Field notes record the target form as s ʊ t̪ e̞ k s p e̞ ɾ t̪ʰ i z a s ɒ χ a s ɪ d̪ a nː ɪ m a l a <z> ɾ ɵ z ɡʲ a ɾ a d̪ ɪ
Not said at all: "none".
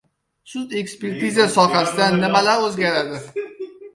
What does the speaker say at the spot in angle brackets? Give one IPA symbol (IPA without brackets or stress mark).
none